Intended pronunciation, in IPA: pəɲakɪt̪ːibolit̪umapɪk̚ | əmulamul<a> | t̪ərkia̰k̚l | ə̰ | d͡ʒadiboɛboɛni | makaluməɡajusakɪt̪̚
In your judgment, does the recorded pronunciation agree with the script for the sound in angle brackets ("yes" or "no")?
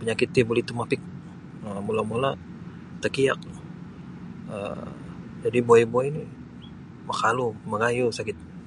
yes